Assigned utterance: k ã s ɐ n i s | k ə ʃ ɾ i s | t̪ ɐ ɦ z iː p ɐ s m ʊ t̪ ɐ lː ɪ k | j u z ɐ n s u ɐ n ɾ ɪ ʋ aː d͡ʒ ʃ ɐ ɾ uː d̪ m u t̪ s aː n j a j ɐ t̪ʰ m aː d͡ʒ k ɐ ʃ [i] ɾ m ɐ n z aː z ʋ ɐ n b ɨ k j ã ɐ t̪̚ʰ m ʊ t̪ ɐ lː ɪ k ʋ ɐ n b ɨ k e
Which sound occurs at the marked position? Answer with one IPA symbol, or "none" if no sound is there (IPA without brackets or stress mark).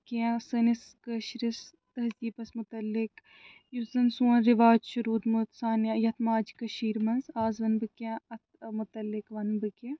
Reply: iː